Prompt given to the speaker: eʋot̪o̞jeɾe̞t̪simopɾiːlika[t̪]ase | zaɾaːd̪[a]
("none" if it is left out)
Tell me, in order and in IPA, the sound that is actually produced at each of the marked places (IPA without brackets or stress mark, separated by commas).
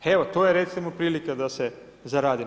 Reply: d̪, i